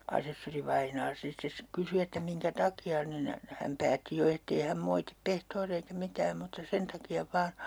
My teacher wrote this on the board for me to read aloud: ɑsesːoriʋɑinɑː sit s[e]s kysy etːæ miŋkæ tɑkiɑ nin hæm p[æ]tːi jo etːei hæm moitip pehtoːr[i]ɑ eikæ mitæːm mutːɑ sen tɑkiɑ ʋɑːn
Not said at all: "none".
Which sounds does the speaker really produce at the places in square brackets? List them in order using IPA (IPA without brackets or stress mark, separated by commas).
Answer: e, æː, i